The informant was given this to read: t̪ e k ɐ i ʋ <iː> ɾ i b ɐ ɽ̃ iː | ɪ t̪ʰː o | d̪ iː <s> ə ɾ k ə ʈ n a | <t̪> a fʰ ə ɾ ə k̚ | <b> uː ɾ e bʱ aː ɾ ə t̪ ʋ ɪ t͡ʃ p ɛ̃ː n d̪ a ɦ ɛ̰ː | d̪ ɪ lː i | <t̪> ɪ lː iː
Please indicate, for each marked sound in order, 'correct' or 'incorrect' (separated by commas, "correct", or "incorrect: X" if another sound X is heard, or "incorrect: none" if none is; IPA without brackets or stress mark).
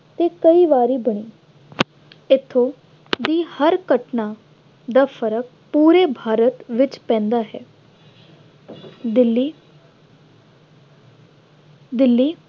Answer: incorrect: aː, incorrect: h, incorrect: d̪, incorrect: p, incorrect: d̪